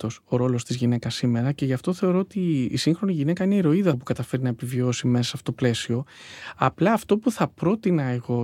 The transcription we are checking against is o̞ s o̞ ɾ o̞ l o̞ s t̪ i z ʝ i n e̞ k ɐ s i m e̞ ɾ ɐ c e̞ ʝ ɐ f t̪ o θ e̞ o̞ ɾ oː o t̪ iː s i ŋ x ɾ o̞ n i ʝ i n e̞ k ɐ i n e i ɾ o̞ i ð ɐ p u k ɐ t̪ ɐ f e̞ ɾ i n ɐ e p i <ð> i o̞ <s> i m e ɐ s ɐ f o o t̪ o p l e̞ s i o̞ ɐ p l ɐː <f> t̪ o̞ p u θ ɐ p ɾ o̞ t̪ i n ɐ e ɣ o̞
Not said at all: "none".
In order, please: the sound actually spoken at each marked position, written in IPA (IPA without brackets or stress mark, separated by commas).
v, s, f